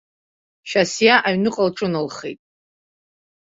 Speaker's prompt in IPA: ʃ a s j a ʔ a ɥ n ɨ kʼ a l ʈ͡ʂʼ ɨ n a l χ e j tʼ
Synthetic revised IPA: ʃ a s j a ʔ a ɥ n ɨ qʼ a l ʈ͡ʂʼ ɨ n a l χ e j tʼ